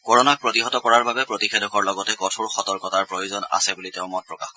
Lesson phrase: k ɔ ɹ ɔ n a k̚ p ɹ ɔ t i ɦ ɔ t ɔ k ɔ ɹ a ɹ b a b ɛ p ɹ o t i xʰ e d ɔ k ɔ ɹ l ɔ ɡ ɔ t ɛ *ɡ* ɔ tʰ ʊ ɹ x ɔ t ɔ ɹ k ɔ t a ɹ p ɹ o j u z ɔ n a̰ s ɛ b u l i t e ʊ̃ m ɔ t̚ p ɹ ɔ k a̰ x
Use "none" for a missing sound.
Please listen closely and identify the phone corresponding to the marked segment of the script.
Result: k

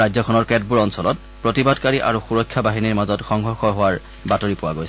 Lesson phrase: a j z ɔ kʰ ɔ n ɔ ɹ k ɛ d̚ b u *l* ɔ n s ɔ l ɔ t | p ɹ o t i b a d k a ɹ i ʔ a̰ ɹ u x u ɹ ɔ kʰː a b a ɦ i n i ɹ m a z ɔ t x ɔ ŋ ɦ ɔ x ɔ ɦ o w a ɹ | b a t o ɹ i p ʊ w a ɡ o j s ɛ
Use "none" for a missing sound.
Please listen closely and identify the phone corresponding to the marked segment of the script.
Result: ɹ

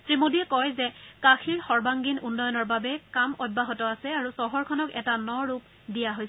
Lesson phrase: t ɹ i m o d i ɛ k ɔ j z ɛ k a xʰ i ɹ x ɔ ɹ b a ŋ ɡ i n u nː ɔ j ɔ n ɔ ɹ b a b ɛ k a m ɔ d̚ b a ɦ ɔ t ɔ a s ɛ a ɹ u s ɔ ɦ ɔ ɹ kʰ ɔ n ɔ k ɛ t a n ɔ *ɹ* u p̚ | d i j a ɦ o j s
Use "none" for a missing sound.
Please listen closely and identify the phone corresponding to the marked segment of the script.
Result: ɹ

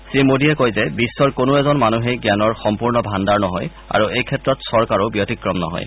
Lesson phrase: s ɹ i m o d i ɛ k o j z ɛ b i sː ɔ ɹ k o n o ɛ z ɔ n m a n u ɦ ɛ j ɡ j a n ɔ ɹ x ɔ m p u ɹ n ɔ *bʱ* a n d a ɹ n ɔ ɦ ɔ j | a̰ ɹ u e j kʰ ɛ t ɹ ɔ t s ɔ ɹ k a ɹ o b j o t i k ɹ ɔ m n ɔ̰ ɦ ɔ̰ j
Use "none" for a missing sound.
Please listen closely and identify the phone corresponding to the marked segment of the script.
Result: bʱ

